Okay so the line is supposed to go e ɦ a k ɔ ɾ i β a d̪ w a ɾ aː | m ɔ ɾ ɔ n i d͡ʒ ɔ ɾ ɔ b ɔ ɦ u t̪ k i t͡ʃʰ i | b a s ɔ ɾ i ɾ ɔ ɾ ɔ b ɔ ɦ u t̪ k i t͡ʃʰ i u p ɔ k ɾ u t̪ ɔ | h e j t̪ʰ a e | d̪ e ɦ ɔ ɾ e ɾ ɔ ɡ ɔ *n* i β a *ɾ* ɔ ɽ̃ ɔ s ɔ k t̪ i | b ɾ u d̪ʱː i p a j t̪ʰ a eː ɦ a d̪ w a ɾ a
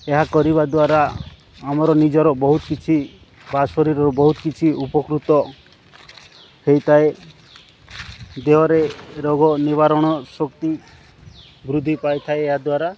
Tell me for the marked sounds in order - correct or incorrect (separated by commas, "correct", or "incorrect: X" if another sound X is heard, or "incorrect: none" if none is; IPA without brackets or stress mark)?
correct, correct